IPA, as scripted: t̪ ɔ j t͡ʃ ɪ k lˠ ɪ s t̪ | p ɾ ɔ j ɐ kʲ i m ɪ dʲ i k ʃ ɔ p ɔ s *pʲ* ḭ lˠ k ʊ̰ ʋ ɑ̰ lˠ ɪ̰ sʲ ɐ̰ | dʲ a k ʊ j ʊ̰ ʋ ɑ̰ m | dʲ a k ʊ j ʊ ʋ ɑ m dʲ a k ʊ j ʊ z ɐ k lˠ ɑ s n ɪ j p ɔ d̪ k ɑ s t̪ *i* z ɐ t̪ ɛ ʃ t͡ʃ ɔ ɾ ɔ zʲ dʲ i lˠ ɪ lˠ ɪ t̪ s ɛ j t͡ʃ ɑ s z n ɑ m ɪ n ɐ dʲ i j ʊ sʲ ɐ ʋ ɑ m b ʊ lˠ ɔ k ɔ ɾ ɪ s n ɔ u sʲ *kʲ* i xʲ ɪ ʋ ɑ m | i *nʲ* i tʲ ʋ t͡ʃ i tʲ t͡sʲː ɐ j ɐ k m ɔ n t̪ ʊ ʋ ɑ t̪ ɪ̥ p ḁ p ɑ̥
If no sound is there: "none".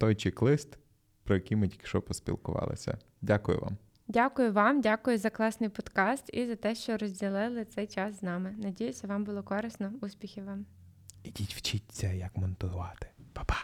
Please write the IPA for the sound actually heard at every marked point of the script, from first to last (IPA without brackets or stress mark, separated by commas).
pʲ, i, pʲ, dʲ